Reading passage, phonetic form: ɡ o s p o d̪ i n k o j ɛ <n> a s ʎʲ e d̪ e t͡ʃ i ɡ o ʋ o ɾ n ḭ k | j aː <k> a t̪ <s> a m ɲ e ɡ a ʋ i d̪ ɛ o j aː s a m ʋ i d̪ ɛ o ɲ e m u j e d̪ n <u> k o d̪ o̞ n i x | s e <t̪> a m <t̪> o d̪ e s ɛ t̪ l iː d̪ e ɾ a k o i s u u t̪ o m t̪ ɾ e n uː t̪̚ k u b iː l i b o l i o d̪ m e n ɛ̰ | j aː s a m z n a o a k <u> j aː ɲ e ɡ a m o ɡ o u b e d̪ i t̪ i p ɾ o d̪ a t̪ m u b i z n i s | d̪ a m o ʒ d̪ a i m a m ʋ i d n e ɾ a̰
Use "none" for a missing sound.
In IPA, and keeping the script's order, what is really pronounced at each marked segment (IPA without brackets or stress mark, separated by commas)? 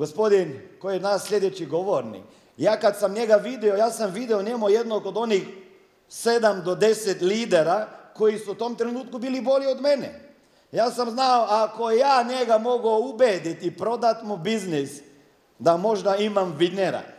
n, k, s, o, d̪, d̪, o